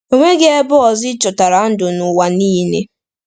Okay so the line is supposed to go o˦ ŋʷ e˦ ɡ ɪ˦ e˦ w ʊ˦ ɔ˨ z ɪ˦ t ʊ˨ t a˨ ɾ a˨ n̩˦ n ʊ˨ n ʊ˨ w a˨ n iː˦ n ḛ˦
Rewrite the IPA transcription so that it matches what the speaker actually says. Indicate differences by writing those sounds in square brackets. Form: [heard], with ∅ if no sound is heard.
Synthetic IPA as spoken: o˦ ŋʷ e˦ ɡ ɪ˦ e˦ [b] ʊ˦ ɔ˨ z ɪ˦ [t͡ʃ] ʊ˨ t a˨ ɾ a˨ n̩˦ [d] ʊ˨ n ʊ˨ w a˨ n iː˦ n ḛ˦